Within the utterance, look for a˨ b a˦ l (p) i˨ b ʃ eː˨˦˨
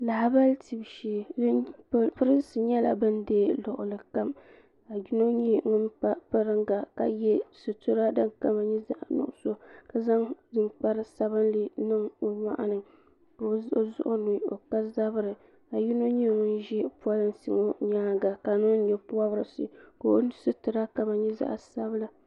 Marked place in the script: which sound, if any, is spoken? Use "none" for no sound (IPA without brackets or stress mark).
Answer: t